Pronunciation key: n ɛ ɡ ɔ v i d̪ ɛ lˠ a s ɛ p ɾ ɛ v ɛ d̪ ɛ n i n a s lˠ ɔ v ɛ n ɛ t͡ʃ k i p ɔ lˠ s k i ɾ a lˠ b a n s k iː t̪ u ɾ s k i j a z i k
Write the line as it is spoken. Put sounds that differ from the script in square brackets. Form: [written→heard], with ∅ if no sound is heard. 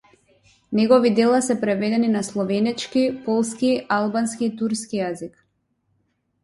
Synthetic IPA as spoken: n ɛ ɡ ɔ v i d̪ ɛ lˠ a s ɛ p ɾ ɛ v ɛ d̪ ɛ n i n a s lˠ ɔ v ɛ n ɛ t͡ʃ k i p ɔ lˠ s k i [ɾ→∅] a lˠ b a n s k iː t̪ u ɾ s k i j a z i k